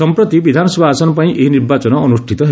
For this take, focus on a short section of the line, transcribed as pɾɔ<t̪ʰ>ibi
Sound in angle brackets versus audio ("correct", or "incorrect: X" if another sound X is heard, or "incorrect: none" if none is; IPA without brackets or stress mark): incorrect: t̪